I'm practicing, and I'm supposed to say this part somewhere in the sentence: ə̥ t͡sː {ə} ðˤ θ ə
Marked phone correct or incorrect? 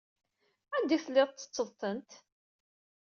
correct